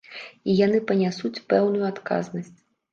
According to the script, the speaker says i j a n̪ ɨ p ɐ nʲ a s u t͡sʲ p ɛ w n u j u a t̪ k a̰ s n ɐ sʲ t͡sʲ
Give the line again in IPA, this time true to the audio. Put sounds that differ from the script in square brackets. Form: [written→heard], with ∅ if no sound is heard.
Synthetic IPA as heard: i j a n̪ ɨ p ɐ nʲ a s u t͡sʲ p ɛ w n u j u a t̪ k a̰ [s→z] n ɐ sʲ t͡sʲ